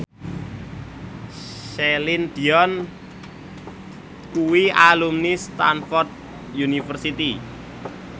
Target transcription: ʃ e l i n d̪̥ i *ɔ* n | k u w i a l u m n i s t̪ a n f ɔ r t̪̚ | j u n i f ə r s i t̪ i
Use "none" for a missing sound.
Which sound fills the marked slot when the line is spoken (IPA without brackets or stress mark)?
ɔ